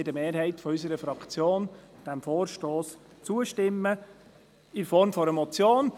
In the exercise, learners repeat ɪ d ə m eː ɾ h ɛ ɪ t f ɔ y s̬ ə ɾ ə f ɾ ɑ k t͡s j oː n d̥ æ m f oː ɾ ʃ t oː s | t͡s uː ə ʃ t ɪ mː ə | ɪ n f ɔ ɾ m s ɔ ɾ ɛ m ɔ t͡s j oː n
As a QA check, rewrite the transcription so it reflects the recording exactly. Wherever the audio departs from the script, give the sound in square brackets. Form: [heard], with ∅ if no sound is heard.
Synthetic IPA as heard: ɪ d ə m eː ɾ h ɛ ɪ t f ɔ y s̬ ə ɾ ə f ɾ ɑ k t͡s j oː n d̥ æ m f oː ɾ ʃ t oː s | t͡s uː ə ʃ t ɪ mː ə | ɪ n f ɔ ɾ m [f] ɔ ɾ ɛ m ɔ t͡s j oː n

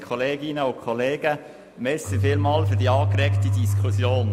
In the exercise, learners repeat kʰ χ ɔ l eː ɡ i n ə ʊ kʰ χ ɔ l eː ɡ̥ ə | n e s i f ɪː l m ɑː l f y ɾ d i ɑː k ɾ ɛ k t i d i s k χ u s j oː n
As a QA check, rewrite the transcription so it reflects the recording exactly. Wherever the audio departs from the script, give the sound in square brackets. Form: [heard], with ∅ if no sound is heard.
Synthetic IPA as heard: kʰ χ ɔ l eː ɡ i n ə ʊ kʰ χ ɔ l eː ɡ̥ ə | [m] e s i f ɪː l m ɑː l f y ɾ d i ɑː k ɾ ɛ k t i d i s k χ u s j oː n

